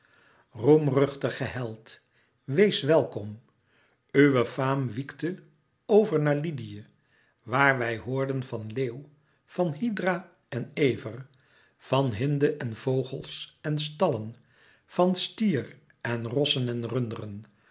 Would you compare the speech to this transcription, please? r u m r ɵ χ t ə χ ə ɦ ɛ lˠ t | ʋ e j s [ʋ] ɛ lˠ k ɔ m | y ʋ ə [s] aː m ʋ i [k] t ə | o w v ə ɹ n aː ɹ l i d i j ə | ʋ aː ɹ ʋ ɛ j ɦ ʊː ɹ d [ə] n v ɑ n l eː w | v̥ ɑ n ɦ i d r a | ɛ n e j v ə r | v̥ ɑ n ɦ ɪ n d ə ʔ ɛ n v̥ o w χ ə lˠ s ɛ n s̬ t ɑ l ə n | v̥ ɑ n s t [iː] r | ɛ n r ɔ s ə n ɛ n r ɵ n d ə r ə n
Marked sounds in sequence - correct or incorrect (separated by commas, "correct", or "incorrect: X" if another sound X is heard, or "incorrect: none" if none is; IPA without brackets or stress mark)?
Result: correct, incorrect: f, correct, correct, correct